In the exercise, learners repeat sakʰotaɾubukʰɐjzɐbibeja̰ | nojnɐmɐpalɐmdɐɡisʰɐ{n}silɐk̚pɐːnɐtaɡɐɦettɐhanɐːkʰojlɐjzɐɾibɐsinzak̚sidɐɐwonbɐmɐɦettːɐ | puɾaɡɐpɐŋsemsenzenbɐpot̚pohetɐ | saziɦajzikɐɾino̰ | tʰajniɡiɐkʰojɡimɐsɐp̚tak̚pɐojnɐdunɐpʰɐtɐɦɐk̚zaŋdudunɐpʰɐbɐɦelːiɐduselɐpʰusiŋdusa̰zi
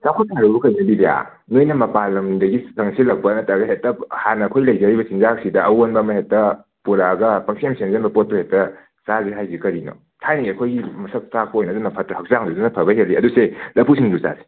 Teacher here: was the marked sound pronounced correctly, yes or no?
no